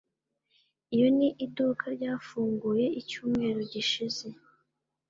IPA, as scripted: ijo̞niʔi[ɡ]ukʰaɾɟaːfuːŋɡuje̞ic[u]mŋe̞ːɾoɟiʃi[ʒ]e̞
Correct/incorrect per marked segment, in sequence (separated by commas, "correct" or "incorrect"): incorrect, incorrect, incorrect